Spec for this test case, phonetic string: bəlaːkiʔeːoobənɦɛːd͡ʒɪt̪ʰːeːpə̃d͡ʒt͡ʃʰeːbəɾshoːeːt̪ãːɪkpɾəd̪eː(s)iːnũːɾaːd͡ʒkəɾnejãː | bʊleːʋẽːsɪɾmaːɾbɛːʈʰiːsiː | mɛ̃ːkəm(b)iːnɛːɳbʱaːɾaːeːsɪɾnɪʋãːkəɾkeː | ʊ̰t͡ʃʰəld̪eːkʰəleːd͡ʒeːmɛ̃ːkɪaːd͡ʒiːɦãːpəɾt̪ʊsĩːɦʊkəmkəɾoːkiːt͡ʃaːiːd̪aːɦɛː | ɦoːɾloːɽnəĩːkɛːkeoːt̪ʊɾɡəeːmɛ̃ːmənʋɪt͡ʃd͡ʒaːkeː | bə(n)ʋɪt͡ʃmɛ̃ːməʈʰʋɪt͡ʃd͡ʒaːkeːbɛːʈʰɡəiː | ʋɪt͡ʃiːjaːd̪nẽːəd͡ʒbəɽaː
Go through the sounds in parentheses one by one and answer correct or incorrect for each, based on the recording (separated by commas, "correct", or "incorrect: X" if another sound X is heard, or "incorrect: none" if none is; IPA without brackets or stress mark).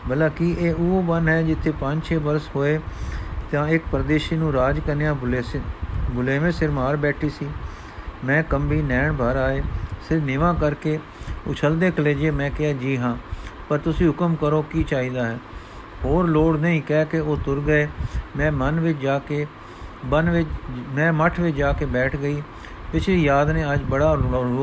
incorrect: ʃ, correct, correct